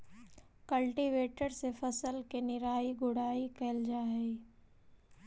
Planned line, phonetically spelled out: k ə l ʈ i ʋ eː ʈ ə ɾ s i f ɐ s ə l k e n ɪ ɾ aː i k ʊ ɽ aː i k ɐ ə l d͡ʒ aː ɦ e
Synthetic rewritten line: k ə l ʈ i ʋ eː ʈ ə ɾ s e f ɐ s ə l k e n ɪ ɾ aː i ɡ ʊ ɽ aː i k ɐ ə l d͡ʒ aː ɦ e

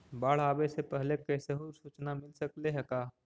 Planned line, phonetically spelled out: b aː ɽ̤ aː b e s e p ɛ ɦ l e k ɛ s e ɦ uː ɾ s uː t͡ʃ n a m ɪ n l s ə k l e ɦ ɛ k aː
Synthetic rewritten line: b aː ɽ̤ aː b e s e p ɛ ɦ l e k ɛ s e ɦ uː ɾ s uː t͡ʃ n a m ɪ l s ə k l e ɦ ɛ k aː

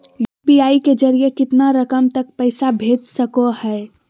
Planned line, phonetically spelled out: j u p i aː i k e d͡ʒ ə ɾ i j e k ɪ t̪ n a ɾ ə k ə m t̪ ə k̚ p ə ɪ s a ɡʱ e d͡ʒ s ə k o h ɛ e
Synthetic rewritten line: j u p i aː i k e d͡ʒ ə ɾ i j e k ɪ t̪ n a ɾ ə k ə m t̪ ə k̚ p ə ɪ s a bʱ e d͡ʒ s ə k o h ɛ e

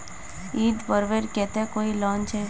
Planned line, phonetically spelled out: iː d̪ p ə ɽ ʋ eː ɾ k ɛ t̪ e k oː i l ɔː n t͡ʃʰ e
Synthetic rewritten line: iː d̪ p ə ɾ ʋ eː ɾ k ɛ t̪ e k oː i l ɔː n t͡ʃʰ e

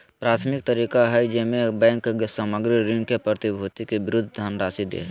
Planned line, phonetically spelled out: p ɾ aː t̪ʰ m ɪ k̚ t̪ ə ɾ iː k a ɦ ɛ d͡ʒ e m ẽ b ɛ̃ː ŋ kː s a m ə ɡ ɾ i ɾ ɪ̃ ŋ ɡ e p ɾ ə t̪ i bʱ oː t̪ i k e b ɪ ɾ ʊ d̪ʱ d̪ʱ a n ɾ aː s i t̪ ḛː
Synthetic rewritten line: p ɾ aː t̪ʰ m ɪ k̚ t̪ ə ɾ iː k a ɦ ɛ d͡ʒ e m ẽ b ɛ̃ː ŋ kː s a m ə ɡ ɾ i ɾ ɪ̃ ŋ k e p ɾ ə t̪ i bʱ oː t̪ i k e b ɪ ɾ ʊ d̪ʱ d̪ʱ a n ɾ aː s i d̪ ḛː

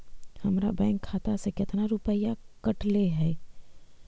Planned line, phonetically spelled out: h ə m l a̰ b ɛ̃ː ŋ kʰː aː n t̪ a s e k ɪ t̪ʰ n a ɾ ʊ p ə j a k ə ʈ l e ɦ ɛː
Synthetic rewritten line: h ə m ɾ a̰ b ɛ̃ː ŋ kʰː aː t̪ a s e k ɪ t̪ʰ n a ɾ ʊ p ə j a k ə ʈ l e ɦ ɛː

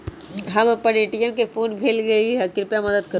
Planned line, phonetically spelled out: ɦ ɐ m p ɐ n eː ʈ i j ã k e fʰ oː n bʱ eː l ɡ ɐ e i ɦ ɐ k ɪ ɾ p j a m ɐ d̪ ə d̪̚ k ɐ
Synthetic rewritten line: ɦ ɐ m p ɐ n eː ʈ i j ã k e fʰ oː n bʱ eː l ɡ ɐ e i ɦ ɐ k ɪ ɾ p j a m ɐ d̪ ə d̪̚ k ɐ

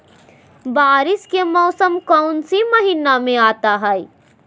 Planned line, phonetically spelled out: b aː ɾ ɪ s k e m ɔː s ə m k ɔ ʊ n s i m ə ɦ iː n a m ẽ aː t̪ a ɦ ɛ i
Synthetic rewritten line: b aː ɾ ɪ s k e m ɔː s ə m k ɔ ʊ n s i m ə ɦ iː n a m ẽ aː t̪ a ɦ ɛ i

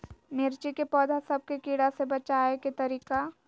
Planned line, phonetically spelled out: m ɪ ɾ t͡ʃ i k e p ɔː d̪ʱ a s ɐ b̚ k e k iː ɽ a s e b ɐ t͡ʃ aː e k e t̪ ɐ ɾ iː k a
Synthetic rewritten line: m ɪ ɾ t͡ʃ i k e p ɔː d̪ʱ a s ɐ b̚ k e k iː ɽ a s e b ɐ t͡ʃ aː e k e t̪ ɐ ɾ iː k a

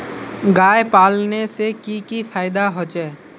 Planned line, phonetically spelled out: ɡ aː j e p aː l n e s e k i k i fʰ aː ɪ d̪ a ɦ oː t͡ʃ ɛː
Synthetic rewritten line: ɡ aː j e p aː l n e s e k i k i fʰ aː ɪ d̪ a ɦ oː t͡ʃ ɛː

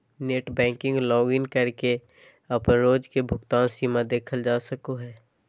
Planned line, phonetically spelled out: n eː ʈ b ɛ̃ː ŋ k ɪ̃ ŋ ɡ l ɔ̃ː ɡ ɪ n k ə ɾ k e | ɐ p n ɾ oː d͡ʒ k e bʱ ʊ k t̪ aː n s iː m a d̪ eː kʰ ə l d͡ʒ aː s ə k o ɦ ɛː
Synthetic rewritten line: n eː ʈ b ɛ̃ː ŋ k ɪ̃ ŋ ɡ l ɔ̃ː ɡ ɪ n k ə ɾ k e | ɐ p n ɾ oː d͡ʒ k e bʱ ʊ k t̪ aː n s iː m a d̪ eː kʰ ə l d͡ʒ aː s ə k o ɦ ɛː

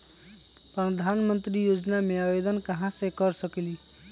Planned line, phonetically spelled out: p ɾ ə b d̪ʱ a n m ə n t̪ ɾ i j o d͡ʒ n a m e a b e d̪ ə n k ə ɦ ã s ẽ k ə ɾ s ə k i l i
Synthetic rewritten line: p ɾ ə d̪ʱ a n m ə n t̪ ɾ i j o d͡ʒ n a m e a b e d̪ ə n k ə ɦ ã s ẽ k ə ɾ s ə k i l i

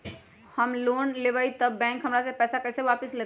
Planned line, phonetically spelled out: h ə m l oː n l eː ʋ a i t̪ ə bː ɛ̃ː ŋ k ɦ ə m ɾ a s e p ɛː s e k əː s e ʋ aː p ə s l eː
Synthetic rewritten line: h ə m l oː n l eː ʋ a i t̪ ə bː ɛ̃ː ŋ k ɦ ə m ɾ a s e p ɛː s a k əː s e ʋ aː p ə s l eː

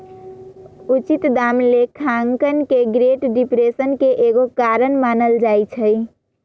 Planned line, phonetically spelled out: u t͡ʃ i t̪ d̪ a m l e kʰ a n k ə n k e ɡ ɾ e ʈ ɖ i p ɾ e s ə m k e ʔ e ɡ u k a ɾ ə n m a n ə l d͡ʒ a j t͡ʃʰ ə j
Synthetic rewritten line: u t͡ʃ i t̪ d̪ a m l e kʰ a ŋ k ə n k e ɡ ɾ e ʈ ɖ i p ɾ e s ə n k e ʔ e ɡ o k a ɾ ə n m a n ə l d͡ʒ a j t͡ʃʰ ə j

